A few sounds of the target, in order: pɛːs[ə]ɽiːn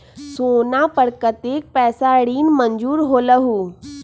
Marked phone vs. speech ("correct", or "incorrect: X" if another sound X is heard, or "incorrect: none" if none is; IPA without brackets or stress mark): incorrect: a